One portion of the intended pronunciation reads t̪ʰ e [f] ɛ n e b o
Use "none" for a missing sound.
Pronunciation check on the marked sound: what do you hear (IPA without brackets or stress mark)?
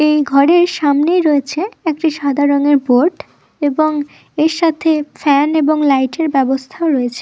f